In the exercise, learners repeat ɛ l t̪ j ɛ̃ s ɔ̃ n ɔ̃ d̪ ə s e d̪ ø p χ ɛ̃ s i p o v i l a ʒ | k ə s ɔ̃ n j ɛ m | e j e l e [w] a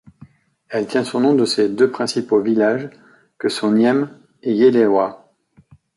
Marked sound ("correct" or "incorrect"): correct